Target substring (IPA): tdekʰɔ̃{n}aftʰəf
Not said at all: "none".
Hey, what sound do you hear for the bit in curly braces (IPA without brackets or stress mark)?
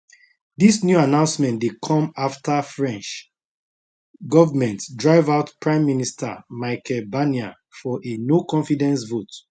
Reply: m